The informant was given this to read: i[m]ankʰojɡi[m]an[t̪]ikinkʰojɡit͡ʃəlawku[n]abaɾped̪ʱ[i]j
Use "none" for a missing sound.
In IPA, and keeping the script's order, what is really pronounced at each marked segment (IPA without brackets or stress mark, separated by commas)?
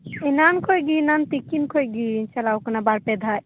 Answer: n, n, t̪, n, a